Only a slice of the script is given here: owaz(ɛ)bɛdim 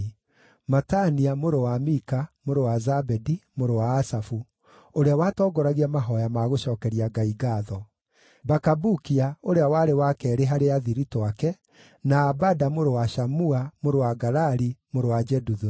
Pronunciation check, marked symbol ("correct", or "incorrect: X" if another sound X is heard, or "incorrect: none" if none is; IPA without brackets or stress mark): incorrect: a